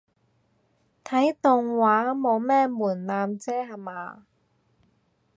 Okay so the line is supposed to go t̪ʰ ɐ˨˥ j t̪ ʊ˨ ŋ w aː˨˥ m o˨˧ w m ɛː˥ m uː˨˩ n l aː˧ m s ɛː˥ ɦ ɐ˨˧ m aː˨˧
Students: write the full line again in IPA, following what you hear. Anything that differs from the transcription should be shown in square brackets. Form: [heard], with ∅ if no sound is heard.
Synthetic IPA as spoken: t̪ʰ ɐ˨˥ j t̪ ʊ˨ ŋ w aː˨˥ m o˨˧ w m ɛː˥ m uː˨˩ n l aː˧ m [t͡s] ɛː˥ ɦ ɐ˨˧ m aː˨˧